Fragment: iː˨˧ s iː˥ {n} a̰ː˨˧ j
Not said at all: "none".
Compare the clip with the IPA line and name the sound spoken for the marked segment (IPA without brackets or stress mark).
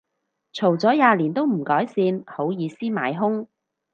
m